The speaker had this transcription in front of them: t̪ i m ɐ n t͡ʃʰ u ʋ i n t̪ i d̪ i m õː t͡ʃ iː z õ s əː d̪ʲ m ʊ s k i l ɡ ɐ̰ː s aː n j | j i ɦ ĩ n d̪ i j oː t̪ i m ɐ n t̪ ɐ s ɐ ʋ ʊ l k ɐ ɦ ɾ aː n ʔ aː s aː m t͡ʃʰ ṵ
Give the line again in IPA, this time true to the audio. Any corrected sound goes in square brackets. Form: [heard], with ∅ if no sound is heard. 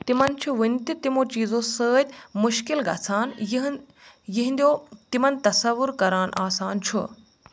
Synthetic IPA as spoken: t̪ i m ɐ n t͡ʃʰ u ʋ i n t̪ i [t̪] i m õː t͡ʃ iː z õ s əː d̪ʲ m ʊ [ʃ] k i l ɡ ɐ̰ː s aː n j | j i ɦ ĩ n d̪ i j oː t̪ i m ɐ n t̪ ɐ s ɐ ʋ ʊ [ɾ] k ɐ [∅] ɾ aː n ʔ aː s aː [n] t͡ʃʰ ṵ